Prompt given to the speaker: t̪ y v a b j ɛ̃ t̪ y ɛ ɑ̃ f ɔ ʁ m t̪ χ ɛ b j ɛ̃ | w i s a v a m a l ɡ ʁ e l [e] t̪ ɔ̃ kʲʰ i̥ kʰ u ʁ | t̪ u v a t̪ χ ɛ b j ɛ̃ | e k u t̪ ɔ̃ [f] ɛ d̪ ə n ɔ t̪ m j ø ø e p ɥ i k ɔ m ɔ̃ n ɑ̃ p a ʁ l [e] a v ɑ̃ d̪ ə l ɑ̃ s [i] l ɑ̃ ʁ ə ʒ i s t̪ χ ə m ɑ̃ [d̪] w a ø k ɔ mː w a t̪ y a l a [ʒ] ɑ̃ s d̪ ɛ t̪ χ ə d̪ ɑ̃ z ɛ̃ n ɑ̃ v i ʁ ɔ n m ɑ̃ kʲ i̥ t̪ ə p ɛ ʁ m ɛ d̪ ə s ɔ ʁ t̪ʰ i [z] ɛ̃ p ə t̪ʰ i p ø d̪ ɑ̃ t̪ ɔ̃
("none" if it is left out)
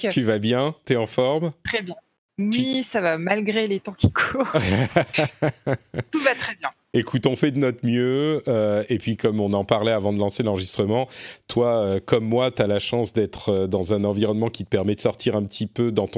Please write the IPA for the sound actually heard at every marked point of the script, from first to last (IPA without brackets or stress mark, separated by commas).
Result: e, f, ɛ, e, t̪, ʃ, ʁ